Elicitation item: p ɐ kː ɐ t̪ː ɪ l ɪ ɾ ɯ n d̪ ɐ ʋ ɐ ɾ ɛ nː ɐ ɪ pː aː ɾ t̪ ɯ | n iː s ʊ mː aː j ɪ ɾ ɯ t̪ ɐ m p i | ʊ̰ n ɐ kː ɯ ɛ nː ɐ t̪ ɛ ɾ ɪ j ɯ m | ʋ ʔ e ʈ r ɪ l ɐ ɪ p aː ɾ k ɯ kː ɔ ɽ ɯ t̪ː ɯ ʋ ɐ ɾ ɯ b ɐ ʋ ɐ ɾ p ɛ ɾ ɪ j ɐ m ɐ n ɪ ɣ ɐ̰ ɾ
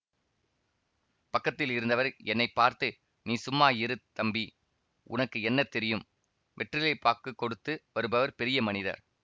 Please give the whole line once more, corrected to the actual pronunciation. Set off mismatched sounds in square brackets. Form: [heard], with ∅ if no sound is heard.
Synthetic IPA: p ɐ kː ɐ t̪ː ɪ l ɪ ɾ ɯ n d̪ ɐ ʋ ɐ ɾ ɛ nː ɐ ɪ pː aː ɾ t̪ ɯ | n iː s ʊ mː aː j ɪ ɾ ɯ t̪ ɐ m [b] i | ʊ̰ n ɐ kː ɯ ɛ nː ɐ t̪ ɛ ɾ ɪ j ɯ m | ʋ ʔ [ɛ] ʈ r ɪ l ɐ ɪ p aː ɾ k ɯ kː ɔ ɽ ɯ t̪ː ɯ ʋ ɐ ɾ ɯ b ɐ ʋ ɐ ɾ p ɛ ɾ ɪ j ɐ m ɐ n ɪ [ð] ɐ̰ ɾ

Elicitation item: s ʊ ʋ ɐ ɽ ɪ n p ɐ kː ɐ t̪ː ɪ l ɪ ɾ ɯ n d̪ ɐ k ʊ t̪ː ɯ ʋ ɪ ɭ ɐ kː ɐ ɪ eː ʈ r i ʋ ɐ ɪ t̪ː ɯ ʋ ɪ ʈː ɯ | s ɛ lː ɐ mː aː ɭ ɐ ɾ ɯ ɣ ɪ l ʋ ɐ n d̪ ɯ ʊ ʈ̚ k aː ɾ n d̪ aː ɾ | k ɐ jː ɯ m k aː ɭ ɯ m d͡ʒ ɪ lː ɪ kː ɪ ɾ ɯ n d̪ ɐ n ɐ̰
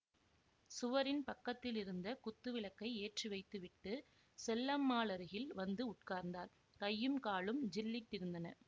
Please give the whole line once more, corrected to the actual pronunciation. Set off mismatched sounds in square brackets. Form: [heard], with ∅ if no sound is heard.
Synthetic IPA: s ʊ ʋ ɐ [ɾ] ɪ n p ɐ kː ɐ t̪ː ɪ l ɪ ɾ ɯ n d̪ ɐ k ʊ t̪ː ɯ ʋ ɪ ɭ ɐ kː ɐ ɪ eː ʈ r i ʋ ɐ ɪ t̪ː ɯ ʋ ɪ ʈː ɯ | s ɛ lː ɐ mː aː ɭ ɐ ɾ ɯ ɣ ɪ l ʋ ɐ n d̪ ɯ ʊ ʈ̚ k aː ɾ n d̪ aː ɾ | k ɐ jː ɯ m k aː ɭ ɯ m d͡ʒ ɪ lː ɪ [ʈː] ɪ ɾ ɯ n d̪ ɐ n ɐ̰

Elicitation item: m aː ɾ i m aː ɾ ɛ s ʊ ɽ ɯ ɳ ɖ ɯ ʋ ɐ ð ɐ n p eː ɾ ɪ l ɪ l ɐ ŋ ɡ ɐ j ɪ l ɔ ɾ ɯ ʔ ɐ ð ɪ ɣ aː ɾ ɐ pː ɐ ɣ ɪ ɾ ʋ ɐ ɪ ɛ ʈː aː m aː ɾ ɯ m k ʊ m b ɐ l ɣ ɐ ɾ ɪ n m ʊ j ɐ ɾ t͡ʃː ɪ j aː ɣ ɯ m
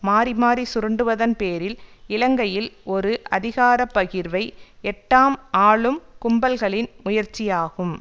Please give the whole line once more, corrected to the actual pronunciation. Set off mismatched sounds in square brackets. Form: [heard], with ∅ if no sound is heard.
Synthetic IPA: m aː ɾ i m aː ɾ [i] s ʊ [ɾ] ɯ ɳ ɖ ɯ ʋ ɐ ð ɐ n p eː ɾ ɪ l ɪ l ɐ ŋ ɡ ɐ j ɪ l ɔ ɾ ɯ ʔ ɐ ð ɪ ɣ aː ɾ ɐ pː ɐ ɣ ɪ ɾ ʋ ɐ ɪ ɛ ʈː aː m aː [ɭ] ɯ m k ʊ m b ɐ l ɣ ɐ [ɭ] ɪ n m ʊ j ɐ ɾ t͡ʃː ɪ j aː ɣ ɯ m

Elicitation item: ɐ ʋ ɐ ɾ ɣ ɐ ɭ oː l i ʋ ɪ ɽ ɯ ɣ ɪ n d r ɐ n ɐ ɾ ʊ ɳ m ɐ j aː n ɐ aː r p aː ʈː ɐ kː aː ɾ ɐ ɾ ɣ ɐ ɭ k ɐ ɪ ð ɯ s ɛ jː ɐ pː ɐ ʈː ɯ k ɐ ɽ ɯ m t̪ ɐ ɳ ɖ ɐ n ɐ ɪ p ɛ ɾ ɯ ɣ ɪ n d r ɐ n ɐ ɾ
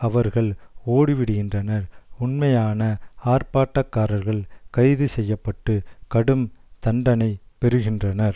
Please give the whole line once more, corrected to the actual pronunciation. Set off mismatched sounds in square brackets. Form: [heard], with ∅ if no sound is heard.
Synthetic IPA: ɐ ʋ ɐ ɾ ɣ ɐ ɭ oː [ɽ] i ʋ ɪ ɽ ɯ ɣ ɪ n d r ɐ n ɐ ɾ ʊ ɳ m ɐ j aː n ɐ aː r p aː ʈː ɐ kː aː ɾ ɐ ɾ ɣ ɐ ɭ k ɐ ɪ ð ɯ s ɛ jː ɐ pː ɐ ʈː ɯ k ɐ ɽ ɯ m t̪ ɐ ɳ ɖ ɐ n ɐ ɪ p ɛ ɾ ɯ ɣ ɪ n d r ɐ n ɐ ɾ

